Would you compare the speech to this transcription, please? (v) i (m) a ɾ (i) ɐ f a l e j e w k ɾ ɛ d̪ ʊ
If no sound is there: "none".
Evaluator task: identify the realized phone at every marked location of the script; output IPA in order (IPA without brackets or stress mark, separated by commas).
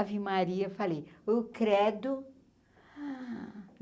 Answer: v, m, i